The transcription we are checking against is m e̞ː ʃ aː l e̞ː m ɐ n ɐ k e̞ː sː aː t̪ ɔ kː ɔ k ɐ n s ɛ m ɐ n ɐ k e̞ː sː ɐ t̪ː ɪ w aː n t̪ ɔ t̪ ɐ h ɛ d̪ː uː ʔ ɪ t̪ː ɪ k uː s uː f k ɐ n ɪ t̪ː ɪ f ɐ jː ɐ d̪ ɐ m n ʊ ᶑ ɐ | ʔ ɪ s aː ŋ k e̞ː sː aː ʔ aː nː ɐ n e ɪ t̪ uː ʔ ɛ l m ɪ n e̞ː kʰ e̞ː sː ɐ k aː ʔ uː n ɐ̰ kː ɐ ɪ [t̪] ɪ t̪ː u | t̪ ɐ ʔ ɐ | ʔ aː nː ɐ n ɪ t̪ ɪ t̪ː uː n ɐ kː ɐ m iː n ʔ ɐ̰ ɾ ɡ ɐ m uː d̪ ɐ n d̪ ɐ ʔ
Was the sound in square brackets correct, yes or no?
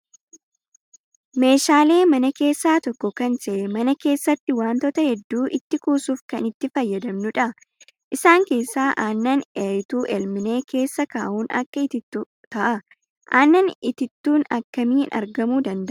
yes